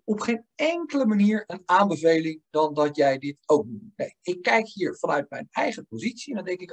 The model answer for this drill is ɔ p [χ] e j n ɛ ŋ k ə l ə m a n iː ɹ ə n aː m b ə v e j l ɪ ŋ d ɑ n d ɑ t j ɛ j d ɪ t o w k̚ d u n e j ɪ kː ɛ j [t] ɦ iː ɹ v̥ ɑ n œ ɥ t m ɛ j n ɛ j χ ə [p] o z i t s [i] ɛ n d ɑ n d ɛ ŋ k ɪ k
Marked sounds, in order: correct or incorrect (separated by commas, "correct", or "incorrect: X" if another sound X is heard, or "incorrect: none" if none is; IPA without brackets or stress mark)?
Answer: correct, incorrect: k, correct, correct